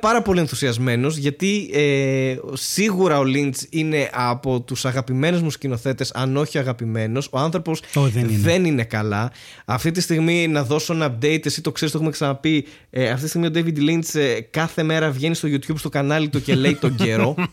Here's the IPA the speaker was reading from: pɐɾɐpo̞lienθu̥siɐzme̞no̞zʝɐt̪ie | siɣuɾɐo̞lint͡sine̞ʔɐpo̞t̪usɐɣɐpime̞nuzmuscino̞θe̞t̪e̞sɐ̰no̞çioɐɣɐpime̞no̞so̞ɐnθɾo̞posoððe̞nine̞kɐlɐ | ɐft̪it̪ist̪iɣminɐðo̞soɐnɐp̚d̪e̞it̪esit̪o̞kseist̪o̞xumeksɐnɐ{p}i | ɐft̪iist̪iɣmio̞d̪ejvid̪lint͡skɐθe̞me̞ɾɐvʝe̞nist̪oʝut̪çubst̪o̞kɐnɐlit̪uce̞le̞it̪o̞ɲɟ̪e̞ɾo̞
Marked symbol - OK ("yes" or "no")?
yes